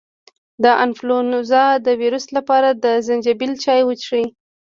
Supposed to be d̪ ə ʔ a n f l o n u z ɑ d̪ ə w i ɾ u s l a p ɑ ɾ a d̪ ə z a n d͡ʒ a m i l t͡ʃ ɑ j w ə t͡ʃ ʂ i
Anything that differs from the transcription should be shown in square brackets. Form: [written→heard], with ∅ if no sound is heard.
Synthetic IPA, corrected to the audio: d̪ ə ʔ a n f l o n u z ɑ d̪ ə w i ɾ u s l a p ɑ ɾ a d̪ ə z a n d͡ʒ a [m→b] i l t͡ʃ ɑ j w ə t͡ʃ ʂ i